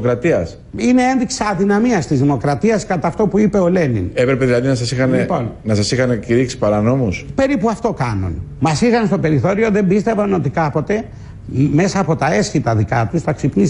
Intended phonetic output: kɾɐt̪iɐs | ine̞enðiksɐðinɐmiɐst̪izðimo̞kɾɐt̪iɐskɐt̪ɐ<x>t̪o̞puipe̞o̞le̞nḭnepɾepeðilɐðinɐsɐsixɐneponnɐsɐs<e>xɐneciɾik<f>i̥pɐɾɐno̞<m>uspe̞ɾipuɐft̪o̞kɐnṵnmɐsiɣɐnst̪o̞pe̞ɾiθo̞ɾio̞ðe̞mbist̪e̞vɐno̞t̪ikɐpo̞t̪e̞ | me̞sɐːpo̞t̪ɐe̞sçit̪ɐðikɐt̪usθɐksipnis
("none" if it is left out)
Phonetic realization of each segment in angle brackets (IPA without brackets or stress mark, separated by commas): f, i, s, m